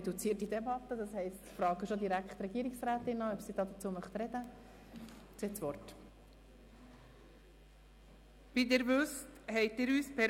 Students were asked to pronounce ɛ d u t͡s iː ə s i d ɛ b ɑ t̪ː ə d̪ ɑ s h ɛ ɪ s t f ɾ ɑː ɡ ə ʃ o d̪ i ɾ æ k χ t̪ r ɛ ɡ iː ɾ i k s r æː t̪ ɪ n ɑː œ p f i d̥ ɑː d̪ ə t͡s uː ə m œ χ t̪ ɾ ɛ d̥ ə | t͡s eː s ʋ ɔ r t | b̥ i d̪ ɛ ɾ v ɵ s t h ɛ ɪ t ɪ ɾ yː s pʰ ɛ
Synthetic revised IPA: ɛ d u t͡s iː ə t i d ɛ b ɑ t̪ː ə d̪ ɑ s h ɛ ɪ s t f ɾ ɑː ɡ ə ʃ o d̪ i ɾ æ k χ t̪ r ɛ ɡ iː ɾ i k s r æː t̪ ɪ n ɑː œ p s i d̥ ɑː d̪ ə t͡s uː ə m œ χ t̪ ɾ ɛ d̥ ə | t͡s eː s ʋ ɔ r t | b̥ i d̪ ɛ ɾ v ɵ s t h ɛ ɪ t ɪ ɾ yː s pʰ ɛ